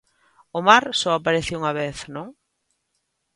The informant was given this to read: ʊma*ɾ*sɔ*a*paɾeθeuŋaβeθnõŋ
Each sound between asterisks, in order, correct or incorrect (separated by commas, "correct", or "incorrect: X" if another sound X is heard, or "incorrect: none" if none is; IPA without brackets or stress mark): correct, correct